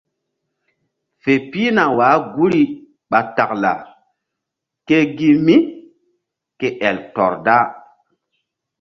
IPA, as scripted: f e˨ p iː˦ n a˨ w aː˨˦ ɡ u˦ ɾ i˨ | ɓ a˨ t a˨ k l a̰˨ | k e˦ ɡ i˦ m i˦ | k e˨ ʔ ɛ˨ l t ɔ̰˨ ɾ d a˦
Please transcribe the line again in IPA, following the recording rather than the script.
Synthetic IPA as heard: f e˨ p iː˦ n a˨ w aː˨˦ ɡ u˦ ɾ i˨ | ɓ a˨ t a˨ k l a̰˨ | k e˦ ɡ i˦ m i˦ | k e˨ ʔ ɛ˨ l t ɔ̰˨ ɾ d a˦

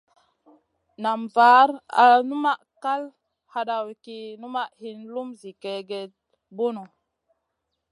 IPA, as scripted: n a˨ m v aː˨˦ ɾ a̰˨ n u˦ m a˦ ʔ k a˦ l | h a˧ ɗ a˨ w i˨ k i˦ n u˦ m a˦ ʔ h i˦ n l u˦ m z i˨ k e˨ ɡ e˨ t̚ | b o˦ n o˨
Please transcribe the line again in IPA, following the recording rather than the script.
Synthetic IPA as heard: n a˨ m v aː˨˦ ɾ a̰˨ n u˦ m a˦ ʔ k a˦ l | h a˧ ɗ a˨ w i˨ k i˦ n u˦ m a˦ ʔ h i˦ n l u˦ m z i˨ k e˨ ɡ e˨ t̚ | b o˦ n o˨

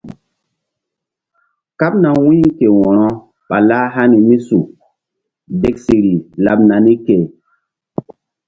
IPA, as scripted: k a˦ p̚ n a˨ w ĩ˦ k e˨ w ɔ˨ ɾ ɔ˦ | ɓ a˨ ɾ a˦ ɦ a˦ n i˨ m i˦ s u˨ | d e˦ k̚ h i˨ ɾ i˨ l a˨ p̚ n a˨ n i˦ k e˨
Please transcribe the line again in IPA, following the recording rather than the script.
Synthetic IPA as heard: k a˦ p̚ n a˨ w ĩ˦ k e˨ w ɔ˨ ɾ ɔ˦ | ɓ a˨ l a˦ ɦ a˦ n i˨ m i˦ s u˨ | d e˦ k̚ s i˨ ɾ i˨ l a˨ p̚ n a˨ n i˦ k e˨

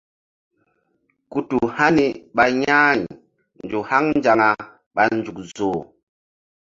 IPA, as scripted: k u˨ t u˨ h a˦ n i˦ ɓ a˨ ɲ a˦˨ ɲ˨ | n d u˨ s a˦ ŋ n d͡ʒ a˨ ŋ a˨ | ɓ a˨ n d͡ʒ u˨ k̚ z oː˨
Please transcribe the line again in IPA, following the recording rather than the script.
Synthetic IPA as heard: k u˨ t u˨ h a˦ n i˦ ɓ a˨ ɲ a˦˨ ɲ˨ | n d͡ʒ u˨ h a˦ ŋ n d͡ʒ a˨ ŋ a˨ | ɓ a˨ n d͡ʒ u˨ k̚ z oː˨

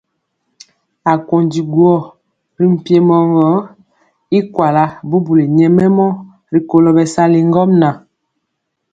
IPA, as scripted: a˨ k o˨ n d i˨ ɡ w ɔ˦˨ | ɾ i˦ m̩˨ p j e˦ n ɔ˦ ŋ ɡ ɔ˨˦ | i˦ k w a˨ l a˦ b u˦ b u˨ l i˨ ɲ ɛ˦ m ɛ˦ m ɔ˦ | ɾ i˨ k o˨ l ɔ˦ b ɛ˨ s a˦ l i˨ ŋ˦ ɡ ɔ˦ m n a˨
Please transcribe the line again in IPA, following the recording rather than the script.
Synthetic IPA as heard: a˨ k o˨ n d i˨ ɡ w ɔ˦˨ | ɾ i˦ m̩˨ p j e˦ m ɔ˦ ŋ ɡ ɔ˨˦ | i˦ k w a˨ l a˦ b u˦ b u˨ l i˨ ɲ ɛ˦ m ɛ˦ m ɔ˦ | ɾ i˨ k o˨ l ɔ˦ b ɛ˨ s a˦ l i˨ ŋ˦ ɡ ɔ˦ m n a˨

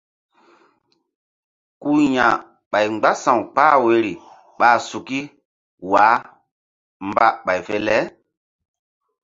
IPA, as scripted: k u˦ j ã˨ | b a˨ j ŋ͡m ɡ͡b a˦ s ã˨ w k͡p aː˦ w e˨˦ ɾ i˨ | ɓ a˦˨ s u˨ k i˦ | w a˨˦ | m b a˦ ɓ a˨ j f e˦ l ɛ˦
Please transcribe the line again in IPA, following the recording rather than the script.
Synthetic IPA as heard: k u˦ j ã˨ | ɓ a˨ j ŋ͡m ɡ͡b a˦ s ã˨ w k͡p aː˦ w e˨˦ ɾ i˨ | ɓ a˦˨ s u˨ k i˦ | w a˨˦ | m b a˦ ɓ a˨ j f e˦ l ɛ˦

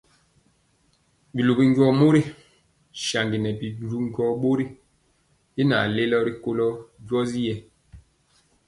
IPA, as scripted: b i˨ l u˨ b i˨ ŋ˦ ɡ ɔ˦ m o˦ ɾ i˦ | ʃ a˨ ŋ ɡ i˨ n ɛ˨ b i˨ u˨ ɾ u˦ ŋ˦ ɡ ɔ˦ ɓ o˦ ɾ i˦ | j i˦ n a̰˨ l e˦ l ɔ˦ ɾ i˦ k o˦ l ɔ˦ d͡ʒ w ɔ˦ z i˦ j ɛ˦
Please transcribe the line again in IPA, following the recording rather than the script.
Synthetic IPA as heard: b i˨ l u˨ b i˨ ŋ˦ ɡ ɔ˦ m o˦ ɾ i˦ | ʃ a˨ ŋ ɡ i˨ n ɛ˨ b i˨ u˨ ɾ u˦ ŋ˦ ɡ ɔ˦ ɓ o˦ ɾ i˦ | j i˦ n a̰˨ l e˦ l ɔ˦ ɾ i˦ k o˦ l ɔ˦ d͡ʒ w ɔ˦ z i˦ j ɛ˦

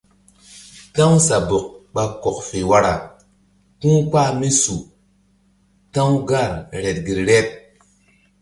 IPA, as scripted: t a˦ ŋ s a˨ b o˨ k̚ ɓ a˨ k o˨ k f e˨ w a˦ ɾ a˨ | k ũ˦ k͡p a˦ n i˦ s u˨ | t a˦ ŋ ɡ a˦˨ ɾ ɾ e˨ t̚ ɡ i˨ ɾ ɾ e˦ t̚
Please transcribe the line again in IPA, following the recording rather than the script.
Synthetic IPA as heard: t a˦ ŋ s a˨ b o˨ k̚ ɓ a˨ k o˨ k f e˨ w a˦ ɾ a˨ | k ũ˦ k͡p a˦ m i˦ s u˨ | t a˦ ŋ ɡ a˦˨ ɾ ɾ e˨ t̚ ɡ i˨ ɾ ɾ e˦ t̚

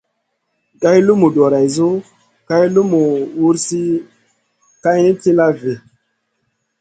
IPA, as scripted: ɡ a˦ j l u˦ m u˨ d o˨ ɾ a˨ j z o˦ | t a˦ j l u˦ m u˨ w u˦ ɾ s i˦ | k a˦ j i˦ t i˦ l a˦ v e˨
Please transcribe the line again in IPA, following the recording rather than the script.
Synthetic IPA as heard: ɡ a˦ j l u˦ m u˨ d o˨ ɾ a˨ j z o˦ | k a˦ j l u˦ m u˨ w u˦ ɾ s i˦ | k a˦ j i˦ t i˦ l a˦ v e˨

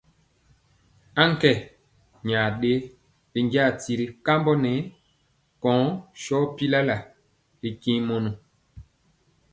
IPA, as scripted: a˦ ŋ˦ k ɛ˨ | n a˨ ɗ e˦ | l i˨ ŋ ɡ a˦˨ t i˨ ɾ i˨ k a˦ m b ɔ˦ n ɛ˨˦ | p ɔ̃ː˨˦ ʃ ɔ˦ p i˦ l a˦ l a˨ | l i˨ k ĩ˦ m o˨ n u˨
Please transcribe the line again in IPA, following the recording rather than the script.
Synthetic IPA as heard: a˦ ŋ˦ k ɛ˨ | ɲ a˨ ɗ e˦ | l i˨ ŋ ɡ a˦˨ t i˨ ɾ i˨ k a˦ m b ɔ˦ n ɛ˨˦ | k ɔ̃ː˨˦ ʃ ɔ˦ p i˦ l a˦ l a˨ | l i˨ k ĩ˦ m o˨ n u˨

